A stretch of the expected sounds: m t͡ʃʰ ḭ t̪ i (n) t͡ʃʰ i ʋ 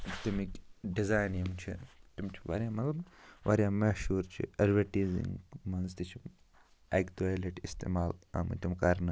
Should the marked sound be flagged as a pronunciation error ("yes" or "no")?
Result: yes